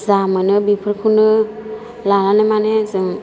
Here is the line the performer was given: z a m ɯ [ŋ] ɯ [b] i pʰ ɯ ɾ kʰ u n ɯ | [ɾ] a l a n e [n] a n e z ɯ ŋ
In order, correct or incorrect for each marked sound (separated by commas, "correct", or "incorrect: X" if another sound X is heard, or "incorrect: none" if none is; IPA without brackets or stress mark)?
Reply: incorrect: n, correct, incorrect: l, incorrect: m